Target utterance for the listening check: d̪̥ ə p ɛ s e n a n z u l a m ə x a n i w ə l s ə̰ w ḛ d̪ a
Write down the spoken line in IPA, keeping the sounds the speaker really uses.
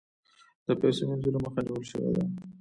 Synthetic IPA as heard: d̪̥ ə p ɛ s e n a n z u l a m ə x a n i w ə l ʃ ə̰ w ḛ d̪ a